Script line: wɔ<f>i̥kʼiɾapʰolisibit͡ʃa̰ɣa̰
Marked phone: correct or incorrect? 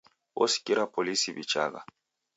incorrect